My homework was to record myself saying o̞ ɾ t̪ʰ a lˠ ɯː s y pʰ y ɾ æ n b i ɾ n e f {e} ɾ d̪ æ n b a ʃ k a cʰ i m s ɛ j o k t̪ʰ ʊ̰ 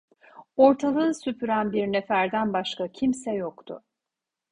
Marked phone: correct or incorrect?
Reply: incorrect